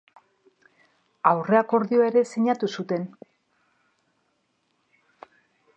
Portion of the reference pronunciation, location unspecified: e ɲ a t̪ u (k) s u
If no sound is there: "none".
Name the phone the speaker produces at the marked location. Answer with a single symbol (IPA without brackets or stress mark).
none